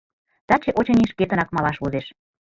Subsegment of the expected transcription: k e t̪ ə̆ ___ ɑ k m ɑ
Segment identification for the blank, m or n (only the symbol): n